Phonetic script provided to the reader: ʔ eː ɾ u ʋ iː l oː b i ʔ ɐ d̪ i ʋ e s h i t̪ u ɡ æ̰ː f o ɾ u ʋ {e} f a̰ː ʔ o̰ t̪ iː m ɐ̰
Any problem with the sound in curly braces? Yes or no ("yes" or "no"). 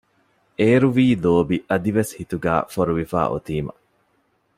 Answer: yes